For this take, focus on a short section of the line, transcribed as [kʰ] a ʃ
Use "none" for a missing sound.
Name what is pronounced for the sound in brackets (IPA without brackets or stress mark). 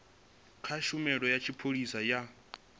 kʰ